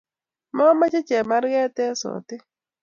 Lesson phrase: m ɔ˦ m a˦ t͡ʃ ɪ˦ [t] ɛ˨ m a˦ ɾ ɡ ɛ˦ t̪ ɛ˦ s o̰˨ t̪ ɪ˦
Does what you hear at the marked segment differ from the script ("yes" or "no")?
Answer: yes